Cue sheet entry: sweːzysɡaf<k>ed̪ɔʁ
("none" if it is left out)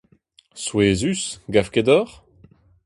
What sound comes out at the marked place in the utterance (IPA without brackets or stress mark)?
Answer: k